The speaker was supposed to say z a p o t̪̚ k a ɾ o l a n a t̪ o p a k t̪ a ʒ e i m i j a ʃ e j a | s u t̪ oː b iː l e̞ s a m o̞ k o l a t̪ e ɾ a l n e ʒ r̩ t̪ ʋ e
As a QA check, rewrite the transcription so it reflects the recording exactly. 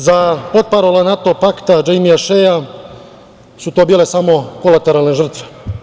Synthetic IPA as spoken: z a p o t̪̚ p a ɾ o l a n a t̪ o p a k t̪ a d͡ʒ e j m i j a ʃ e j a | s u t̪ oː b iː l e̞ s a m o̞ k o l a t̪ e ɾ a l n e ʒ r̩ t̪ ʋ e